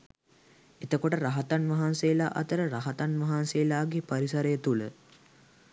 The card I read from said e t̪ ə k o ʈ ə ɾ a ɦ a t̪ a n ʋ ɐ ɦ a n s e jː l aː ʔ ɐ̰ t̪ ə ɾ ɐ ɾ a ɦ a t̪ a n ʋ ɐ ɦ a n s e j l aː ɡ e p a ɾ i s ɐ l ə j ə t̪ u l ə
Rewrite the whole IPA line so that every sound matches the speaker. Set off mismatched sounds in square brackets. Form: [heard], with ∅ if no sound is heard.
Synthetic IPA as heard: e t̪ ə k o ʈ ə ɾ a ɦ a t̪ a n ʋ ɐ ɦ a n s e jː l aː ʔ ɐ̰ t̪ ə ɾ [ə] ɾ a ɦ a t̪ a n ʋ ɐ ɦ a n s e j l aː ɡ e p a ɾ i s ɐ [ɾ] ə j ə t̪ u l ə